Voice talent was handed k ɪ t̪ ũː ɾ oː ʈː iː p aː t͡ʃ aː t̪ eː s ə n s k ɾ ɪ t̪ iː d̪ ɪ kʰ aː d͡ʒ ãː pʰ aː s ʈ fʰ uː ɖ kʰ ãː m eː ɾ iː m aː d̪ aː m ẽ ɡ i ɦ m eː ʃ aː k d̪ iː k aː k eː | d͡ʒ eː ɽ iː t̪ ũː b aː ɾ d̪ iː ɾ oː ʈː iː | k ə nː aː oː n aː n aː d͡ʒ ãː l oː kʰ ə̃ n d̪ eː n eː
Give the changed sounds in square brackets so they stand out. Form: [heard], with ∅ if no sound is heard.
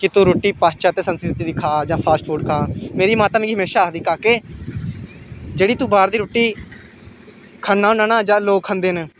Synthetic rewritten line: k ɪ t̪ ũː ɾ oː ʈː iː p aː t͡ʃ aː t̪ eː s ə n s k ɾ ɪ t̪ iː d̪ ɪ kʰ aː d͡ʒ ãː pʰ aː s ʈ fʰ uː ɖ kʰ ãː m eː ɾ iː m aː [t̪] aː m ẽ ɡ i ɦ m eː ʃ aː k d̪ iː k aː k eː | d͡ʒ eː ɽ iː t̪ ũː b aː ɾ d̪ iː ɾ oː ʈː iː | [kʰ] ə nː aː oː n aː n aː d͡ʒ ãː l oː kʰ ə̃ n d̪ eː n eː